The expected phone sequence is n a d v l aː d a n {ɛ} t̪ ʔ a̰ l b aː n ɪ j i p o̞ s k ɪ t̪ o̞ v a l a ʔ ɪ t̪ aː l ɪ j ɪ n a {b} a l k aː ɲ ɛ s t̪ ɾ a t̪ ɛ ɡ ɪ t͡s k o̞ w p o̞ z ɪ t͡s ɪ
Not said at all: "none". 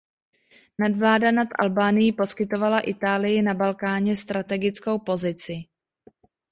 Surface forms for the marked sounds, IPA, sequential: a, b

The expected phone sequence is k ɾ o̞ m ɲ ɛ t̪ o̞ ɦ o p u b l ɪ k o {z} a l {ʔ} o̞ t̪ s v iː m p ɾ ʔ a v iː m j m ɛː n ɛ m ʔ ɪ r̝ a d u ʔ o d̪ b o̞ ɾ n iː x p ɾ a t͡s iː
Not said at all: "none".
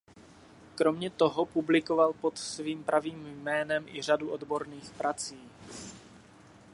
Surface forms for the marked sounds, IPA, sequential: v, p

